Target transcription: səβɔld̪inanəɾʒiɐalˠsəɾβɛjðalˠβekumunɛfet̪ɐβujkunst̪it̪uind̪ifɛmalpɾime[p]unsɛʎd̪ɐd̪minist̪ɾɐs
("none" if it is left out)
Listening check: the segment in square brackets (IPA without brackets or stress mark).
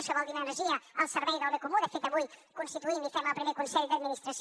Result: k